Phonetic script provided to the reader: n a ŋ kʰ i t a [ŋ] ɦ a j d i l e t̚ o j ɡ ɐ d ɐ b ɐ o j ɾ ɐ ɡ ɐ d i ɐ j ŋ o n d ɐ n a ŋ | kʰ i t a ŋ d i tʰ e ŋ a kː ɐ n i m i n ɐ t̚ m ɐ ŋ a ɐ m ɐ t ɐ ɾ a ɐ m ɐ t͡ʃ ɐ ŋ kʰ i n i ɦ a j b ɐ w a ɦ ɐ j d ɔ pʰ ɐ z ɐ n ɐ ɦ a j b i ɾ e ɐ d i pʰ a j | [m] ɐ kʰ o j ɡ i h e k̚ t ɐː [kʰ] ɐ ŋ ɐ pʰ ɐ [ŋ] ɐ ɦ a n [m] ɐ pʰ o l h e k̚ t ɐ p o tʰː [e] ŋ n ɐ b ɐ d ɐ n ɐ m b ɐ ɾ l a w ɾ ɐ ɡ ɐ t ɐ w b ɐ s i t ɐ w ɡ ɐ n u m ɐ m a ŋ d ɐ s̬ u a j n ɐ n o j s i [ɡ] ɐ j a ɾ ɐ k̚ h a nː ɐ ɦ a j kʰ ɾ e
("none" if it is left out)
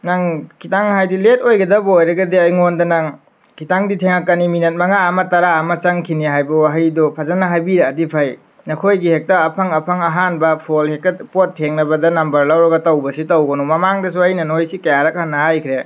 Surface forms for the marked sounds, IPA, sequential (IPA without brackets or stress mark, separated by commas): ŋ, n, pʰ, ŋ, b, e, k